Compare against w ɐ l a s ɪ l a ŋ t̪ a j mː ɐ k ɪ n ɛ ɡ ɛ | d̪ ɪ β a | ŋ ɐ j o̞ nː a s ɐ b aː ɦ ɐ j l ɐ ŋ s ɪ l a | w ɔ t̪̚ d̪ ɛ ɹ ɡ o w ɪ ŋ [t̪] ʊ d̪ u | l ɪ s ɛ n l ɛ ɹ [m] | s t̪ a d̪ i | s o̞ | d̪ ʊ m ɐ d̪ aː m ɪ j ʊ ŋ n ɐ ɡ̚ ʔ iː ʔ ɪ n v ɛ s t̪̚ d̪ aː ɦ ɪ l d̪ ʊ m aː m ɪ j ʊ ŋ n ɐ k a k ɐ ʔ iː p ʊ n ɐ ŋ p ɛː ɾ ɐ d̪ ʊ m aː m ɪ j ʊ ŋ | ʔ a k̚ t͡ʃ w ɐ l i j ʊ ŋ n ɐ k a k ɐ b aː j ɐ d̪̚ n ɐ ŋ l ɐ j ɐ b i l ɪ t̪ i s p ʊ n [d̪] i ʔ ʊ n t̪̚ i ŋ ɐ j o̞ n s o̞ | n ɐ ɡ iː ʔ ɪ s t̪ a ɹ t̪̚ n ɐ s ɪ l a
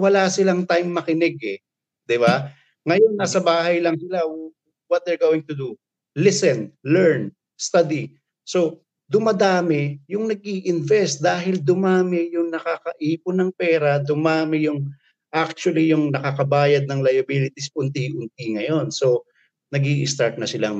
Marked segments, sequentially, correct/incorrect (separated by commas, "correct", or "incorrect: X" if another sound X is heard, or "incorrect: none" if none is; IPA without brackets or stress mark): correct, incorrect: n, incorrect: t̪